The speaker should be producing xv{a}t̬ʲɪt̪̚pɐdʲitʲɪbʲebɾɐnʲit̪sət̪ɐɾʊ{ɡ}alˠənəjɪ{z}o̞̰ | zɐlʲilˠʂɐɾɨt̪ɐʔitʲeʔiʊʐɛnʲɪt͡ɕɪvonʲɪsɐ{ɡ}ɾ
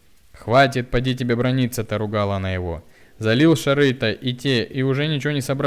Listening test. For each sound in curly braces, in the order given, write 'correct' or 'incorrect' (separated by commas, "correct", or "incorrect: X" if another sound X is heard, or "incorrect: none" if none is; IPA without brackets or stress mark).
correct, correct, incorrect: v, incorrect: b